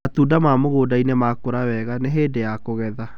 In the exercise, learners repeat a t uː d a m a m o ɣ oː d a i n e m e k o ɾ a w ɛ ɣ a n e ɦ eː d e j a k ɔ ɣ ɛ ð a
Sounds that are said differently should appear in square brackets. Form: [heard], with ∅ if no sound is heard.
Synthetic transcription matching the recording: a t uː d a m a m o ɣ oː d a i n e m [a] k o ɾ a w ɛ ɣ a n e ɦ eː d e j a k [o] ɣ ɛ ð a